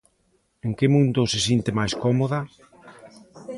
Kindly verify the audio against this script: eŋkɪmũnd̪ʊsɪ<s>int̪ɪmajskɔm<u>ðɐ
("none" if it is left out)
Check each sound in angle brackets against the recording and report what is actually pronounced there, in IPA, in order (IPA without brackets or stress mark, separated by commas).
s, o